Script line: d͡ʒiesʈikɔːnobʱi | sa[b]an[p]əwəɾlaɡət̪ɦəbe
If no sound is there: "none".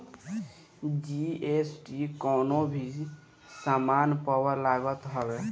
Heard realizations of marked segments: m, p

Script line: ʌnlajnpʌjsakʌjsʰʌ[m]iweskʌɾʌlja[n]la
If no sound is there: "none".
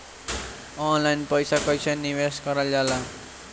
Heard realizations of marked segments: n, none

